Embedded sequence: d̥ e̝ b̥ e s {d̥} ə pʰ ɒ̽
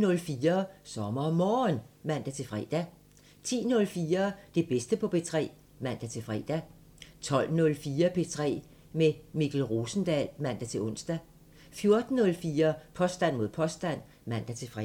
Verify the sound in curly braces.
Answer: correct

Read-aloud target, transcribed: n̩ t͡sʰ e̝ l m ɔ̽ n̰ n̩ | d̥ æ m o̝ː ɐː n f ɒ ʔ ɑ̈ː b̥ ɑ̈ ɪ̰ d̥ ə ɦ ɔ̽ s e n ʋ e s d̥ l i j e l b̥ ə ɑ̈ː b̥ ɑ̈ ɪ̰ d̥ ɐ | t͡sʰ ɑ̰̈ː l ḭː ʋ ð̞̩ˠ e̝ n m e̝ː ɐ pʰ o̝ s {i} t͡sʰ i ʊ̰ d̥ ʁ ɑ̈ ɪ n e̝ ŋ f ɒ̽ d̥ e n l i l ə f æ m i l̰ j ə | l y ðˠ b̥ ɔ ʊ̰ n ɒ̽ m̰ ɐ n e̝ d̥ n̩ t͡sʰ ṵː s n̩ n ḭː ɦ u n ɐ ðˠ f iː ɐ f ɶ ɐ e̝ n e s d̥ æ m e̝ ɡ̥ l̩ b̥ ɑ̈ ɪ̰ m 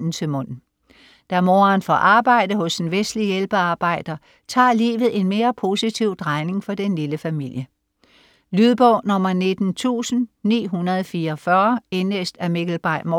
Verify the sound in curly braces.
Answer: correct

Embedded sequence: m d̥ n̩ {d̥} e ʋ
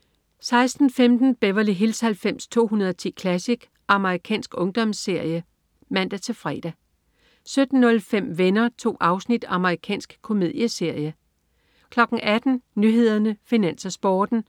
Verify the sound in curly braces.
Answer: incorrect: b̥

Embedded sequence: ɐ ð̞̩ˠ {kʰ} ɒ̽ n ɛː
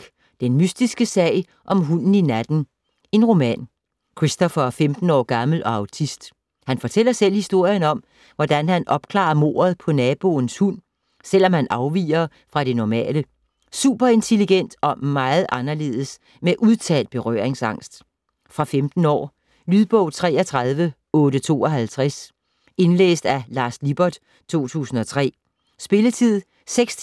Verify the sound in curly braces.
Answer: incorrect: pʰ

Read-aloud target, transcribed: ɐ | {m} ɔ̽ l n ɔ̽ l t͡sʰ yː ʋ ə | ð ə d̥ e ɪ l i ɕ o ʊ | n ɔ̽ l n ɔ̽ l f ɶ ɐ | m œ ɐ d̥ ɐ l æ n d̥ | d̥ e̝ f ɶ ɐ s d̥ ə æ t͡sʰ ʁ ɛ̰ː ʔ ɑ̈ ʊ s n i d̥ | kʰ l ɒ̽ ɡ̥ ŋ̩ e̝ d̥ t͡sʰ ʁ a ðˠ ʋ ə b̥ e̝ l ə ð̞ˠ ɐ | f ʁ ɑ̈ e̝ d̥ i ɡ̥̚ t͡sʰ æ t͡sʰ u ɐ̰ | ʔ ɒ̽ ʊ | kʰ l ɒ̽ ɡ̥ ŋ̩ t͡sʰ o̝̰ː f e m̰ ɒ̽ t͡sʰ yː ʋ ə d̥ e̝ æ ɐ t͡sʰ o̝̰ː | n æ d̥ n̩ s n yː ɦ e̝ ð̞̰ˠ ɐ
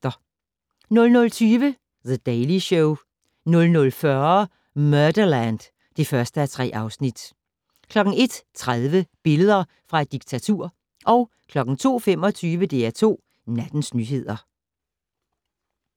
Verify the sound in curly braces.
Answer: incorrect: n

